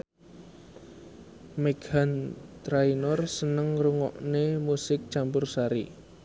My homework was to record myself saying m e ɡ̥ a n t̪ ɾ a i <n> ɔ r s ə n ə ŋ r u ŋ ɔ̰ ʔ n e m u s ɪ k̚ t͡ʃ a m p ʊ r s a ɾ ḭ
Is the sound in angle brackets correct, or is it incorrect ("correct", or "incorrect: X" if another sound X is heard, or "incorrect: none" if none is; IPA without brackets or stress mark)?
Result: correct